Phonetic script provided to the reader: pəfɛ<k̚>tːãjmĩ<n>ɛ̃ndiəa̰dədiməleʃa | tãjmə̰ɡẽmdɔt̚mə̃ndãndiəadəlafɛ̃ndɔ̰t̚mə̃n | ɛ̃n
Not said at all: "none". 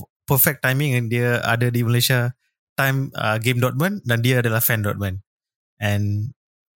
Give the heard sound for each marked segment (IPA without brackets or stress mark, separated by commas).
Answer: k̚, ŋ